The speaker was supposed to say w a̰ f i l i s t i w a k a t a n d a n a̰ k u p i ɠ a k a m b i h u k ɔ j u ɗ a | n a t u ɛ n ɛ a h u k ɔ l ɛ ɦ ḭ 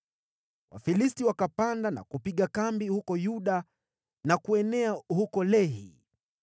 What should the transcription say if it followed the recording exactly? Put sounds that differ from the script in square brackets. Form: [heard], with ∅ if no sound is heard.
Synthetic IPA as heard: w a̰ f i l i s t i w a k a [p] a n d a n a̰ k u p i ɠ a k a m b i h u k ɔ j u ɗ a | n a [k] u ɛ n ɛ a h u k ɔ l ɛ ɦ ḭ